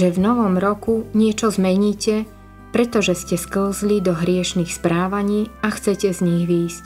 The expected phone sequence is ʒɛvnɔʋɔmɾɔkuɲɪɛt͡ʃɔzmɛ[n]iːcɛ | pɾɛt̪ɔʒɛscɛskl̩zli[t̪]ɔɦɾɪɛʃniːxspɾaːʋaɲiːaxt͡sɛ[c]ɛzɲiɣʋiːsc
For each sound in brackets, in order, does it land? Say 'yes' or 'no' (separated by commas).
no, no, yes